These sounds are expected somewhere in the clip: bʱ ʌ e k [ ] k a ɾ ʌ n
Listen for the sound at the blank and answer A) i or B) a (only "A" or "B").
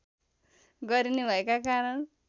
B